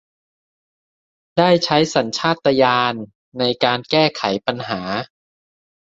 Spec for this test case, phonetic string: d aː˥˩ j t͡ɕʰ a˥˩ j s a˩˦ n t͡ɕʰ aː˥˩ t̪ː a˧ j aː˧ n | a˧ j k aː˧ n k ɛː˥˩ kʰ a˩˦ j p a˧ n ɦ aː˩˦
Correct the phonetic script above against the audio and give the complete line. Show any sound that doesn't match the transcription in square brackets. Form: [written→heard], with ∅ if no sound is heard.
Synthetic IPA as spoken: d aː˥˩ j t͡ɕʰ [a˥˩→a˦˥] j s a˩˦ n t͡ɕʰ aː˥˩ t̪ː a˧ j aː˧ [n→nː] | a˧ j k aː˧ n k ɛː˥˩ kʰ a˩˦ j p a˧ n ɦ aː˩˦